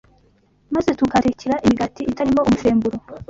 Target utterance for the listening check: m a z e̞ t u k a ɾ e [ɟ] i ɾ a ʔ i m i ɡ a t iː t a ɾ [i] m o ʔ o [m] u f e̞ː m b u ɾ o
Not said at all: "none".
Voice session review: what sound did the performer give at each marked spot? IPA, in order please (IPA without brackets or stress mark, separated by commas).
c, i, m